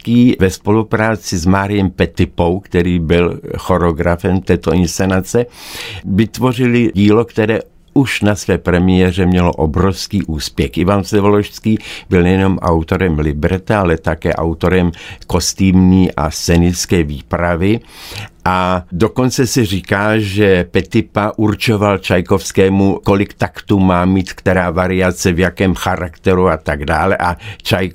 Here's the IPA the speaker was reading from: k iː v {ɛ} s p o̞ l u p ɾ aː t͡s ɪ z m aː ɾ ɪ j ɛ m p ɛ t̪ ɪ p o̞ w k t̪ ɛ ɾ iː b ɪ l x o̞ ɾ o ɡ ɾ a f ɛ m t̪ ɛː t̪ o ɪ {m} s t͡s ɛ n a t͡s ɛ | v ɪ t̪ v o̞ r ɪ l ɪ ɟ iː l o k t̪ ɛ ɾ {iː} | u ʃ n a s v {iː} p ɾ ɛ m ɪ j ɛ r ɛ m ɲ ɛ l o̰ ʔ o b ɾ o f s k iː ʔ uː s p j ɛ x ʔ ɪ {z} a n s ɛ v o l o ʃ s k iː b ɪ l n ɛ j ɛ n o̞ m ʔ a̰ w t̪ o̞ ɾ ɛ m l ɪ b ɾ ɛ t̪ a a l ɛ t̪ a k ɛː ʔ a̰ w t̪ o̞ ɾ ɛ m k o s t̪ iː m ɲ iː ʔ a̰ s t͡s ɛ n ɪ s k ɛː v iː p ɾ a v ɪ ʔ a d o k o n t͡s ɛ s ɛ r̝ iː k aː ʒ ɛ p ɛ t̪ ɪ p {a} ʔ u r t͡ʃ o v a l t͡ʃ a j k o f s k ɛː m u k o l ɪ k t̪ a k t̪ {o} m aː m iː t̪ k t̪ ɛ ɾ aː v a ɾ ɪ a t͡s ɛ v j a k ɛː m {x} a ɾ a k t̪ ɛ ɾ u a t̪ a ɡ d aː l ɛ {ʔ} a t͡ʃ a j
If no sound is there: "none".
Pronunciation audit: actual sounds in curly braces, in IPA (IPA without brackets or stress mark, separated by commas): ɛ, n, ɛː, ɛː, v, a, u, x, ʔ